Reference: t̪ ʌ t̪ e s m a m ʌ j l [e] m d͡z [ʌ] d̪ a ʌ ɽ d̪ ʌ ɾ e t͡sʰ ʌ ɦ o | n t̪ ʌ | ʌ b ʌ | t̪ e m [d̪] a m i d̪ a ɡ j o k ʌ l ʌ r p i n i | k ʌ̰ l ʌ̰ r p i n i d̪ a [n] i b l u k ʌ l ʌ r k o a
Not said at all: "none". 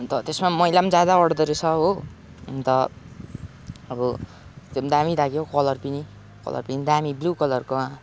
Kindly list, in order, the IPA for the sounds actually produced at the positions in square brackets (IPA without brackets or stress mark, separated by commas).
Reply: a, a, d̪, m